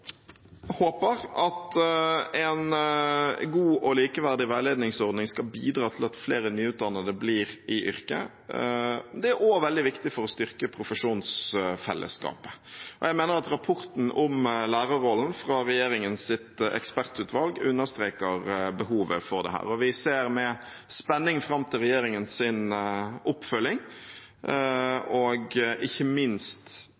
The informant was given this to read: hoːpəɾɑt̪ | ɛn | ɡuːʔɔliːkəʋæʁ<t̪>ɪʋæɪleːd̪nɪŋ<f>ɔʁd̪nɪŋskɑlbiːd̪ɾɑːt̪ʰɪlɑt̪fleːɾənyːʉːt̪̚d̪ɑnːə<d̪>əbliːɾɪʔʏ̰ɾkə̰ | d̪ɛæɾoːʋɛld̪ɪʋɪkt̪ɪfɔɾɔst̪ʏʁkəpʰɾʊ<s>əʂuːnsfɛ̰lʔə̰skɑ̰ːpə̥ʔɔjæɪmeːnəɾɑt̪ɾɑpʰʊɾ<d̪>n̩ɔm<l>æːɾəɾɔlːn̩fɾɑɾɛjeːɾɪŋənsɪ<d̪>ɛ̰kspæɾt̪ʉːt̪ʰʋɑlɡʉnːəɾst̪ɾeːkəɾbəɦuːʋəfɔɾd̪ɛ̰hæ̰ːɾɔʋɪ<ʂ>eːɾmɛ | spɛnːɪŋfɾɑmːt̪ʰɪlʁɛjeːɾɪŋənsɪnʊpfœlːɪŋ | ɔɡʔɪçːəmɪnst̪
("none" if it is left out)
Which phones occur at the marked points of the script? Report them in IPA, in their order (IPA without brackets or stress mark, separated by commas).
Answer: d̪, s, d̪, f, t̪, l, t̪, s